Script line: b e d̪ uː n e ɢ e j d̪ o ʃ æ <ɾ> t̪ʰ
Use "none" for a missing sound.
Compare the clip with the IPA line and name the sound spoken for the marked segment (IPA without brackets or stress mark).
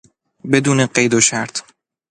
ɾ